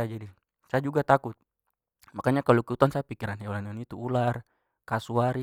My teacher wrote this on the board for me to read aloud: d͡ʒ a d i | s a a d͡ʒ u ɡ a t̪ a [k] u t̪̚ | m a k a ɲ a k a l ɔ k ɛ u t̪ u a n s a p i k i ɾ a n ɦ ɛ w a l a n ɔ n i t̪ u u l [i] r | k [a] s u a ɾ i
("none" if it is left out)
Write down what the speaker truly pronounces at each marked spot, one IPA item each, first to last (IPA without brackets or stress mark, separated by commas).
k, a, a